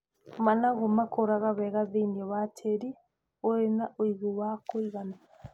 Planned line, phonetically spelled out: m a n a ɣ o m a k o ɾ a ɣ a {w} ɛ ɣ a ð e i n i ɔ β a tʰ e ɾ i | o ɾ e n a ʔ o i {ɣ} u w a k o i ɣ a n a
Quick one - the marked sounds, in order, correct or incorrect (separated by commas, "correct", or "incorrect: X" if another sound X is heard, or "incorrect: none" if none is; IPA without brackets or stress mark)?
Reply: incorrect: β, correct